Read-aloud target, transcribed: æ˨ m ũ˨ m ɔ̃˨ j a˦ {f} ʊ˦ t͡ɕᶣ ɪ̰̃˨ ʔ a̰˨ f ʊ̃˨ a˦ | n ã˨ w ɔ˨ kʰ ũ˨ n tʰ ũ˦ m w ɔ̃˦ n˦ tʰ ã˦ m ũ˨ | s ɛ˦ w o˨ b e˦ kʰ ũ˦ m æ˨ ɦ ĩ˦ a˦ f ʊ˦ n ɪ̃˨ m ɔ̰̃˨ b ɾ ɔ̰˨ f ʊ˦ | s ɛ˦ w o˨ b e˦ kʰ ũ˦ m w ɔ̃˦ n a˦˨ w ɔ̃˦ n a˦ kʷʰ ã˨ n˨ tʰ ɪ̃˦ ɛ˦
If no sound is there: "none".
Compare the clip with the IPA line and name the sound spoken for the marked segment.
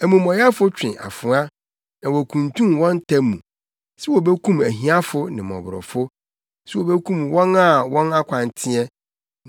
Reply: f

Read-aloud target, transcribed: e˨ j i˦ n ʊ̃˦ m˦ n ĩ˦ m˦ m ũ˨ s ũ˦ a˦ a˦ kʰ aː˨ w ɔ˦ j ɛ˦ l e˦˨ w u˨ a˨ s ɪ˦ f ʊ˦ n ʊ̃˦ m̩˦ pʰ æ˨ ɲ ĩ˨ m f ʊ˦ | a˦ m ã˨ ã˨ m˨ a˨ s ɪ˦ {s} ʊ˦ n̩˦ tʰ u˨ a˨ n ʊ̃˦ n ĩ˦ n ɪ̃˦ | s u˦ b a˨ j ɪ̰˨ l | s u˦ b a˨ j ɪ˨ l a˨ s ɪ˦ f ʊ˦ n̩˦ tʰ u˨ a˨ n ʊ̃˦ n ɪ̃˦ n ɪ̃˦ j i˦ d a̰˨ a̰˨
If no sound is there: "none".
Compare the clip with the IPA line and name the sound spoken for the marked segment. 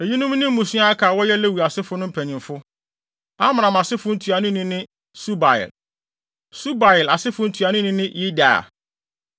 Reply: f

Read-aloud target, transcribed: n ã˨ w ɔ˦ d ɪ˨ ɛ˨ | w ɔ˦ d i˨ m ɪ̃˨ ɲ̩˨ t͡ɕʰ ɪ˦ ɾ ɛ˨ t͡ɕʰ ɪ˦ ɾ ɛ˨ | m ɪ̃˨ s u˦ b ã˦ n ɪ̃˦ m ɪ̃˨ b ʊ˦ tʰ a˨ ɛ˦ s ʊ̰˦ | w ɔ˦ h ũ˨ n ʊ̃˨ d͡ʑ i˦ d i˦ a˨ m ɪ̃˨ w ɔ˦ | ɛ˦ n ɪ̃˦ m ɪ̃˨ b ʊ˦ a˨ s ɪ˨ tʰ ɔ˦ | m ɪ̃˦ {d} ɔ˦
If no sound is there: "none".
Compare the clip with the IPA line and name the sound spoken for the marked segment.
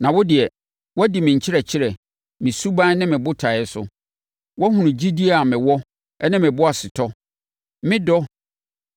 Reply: d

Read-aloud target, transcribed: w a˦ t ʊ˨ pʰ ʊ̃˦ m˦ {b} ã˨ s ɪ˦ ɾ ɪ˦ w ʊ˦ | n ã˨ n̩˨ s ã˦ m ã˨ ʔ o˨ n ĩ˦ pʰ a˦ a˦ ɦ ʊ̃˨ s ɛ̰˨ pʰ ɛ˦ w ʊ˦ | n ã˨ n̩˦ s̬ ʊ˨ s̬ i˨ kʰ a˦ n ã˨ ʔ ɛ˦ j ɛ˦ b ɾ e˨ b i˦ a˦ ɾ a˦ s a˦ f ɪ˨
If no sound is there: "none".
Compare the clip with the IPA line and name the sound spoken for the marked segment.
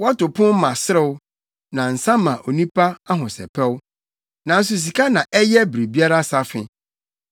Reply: m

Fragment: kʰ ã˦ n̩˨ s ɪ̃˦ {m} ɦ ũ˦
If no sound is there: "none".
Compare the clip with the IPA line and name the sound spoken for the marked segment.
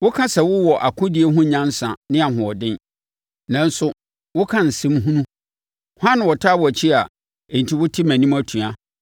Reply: m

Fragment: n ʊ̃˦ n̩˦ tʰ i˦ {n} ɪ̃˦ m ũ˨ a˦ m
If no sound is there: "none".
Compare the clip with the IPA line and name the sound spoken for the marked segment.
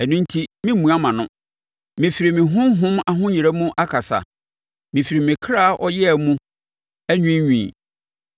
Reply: m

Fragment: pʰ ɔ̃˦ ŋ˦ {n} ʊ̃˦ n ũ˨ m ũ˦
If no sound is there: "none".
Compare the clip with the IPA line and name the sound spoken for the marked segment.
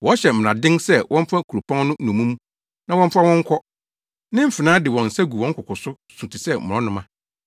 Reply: n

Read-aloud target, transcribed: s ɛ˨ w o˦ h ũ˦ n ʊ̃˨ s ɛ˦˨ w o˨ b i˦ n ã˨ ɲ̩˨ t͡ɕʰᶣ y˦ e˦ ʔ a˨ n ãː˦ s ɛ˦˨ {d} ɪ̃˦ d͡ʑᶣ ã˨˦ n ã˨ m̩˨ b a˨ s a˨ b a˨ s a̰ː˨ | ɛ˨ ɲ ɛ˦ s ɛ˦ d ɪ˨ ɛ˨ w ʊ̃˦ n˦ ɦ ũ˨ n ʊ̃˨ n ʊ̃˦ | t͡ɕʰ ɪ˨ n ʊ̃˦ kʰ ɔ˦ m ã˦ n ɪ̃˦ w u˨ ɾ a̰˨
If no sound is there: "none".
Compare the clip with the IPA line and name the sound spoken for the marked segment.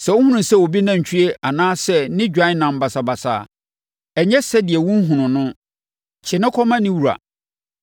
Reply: n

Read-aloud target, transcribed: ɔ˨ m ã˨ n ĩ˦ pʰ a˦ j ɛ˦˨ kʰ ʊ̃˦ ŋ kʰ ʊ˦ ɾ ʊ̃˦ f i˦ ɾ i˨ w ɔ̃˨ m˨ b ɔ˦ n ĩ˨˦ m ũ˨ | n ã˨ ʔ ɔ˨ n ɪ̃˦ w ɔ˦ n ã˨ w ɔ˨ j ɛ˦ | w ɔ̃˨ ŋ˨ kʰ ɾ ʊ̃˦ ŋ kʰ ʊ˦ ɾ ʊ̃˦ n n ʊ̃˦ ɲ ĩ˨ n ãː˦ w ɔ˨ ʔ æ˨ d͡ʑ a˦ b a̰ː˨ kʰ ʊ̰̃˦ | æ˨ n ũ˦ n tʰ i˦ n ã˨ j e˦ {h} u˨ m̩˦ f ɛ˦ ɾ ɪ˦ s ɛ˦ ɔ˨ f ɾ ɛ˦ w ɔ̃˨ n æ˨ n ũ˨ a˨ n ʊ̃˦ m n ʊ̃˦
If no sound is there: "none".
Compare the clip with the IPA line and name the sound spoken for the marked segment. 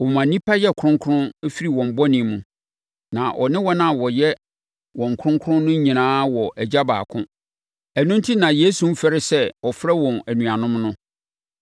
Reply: s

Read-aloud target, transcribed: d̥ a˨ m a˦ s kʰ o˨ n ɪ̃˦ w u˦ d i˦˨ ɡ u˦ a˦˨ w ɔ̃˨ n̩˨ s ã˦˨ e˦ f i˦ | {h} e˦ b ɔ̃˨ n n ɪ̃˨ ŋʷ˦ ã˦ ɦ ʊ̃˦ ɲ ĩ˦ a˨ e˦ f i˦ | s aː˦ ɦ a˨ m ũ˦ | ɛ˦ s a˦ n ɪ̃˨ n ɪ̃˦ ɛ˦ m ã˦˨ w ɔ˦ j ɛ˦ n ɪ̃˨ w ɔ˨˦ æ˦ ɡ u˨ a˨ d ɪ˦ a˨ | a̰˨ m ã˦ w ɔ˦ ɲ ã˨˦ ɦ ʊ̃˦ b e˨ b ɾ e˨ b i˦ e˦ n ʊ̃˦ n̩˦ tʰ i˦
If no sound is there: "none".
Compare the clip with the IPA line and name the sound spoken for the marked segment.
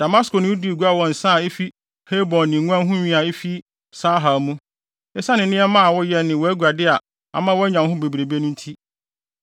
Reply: h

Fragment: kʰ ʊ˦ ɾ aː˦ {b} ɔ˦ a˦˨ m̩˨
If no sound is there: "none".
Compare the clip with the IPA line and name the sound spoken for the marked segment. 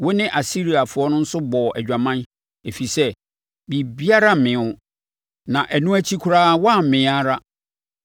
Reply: w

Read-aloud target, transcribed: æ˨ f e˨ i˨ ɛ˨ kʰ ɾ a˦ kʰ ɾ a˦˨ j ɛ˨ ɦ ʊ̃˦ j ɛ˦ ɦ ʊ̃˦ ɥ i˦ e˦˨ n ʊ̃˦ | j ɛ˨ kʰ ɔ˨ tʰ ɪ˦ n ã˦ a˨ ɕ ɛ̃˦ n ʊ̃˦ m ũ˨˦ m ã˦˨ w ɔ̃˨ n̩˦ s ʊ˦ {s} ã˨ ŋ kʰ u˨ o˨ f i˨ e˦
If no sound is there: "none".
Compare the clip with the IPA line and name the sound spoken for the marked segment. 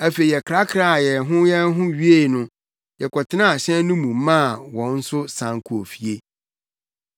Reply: s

